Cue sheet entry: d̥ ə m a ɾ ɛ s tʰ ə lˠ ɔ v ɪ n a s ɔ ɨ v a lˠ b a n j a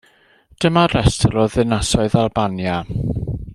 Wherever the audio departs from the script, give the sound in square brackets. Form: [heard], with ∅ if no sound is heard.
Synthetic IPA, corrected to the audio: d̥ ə m a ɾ ɛ s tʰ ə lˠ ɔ [ð] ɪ n a s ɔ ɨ [ð] a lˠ b a n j a